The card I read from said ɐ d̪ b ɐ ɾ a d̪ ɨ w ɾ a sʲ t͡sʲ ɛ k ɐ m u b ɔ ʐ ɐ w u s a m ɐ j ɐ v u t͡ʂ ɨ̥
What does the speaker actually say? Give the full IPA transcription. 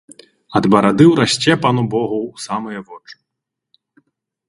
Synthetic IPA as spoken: ɐ d̪ b ɐ ɾ a d̪ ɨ w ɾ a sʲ t͡sʲ ɛ p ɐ n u b ɔ ɣ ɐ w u s a m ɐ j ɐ v ɔ t͡ʂ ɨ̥